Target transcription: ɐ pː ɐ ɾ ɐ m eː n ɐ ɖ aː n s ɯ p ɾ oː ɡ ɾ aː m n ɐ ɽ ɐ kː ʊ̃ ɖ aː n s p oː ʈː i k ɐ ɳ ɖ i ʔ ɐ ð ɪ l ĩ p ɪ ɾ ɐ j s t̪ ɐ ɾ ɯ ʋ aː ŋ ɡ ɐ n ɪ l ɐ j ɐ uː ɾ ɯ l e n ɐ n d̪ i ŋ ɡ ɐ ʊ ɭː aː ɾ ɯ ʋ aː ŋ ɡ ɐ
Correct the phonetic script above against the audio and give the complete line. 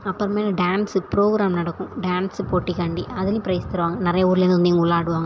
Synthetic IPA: ɐ pː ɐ ɾ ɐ m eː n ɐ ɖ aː n s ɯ p ɾ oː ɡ ɾ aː m n ɐ ɽ ɐ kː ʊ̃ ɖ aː n s p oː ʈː i k ɐ ɳ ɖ i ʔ ɐ ð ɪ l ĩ p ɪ ɾ ɐ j s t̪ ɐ ɾ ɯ ʋ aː ŋ ɡ ɐ n ɪ ɾ ɐ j ɐ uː ɾ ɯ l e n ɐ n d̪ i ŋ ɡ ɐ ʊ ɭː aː ɽ ɯ ʋ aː ŋ ɡ ɐ